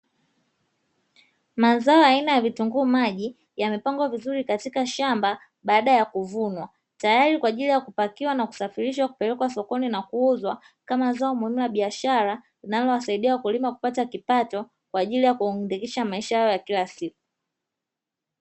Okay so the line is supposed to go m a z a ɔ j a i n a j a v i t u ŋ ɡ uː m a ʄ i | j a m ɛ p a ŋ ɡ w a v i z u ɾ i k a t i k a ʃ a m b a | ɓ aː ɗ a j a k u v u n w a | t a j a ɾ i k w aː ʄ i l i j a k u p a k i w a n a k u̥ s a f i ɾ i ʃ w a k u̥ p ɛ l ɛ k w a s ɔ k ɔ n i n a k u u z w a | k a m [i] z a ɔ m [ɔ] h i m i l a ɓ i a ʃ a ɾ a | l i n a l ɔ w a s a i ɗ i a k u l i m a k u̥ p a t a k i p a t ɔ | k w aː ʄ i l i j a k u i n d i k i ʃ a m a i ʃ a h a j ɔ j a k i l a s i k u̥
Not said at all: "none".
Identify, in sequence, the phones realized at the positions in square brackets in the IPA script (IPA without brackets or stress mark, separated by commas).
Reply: a, u